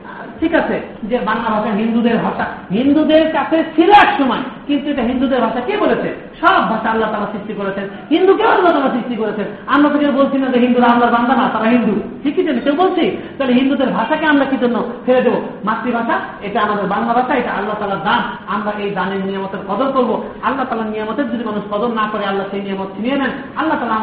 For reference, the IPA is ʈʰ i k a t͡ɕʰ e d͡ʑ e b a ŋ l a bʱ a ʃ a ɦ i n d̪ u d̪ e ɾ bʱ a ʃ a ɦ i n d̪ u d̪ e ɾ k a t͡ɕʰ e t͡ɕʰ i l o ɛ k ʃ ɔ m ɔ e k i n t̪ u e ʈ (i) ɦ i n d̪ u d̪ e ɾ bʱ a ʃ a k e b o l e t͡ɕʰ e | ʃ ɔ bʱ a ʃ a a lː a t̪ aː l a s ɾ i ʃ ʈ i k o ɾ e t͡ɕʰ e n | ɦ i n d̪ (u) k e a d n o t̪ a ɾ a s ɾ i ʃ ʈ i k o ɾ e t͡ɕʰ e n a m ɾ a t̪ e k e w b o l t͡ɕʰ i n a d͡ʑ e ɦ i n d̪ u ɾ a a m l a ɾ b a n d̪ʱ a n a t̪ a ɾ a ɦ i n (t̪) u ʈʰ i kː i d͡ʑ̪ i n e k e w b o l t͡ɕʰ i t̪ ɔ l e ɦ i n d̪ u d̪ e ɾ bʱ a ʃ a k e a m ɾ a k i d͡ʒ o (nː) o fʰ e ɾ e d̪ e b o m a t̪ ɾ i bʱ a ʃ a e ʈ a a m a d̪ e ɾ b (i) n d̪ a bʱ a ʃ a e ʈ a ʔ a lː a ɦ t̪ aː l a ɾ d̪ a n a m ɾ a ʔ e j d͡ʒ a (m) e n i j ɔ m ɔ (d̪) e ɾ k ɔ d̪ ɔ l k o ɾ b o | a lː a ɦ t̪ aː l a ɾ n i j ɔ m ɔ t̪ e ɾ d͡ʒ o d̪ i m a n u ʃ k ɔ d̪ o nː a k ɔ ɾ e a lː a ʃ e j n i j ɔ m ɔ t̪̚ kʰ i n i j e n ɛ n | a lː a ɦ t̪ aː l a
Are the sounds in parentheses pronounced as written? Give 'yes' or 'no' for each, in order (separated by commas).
no, yes, no, yes, no, no, no